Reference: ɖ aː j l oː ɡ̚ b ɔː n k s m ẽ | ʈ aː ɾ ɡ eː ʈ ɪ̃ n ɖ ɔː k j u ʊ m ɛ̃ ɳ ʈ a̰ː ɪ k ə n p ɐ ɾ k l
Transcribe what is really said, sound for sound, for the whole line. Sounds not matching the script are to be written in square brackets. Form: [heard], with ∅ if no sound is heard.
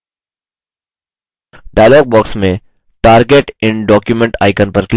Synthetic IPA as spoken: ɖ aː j l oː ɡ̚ b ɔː [∅] k s m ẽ | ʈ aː ɾ ɡ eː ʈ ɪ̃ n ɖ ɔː k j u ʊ m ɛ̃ ɳ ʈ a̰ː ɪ k ə n p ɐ ɾ k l